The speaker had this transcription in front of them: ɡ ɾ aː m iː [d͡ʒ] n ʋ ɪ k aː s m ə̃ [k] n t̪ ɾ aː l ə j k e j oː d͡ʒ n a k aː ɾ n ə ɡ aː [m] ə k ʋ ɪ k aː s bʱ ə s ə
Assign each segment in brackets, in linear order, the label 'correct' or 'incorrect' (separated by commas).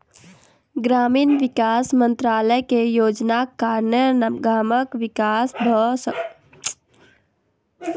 incorrect, incorrect, correct